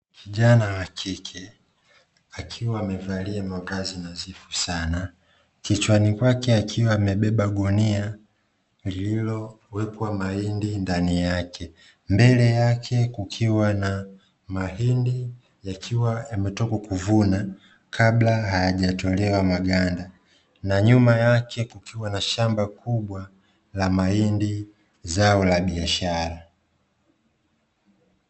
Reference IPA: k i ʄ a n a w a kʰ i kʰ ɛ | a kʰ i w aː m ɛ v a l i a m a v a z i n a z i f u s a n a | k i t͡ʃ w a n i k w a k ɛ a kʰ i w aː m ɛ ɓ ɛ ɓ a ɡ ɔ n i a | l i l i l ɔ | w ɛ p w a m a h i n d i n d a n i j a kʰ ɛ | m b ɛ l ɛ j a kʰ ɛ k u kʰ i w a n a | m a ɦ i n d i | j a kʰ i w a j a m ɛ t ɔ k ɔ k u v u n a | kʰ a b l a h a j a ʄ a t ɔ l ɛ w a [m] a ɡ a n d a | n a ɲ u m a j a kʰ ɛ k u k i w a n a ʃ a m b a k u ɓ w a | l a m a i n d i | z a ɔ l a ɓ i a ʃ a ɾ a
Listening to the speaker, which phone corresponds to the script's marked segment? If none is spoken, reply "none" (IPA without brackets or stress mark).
m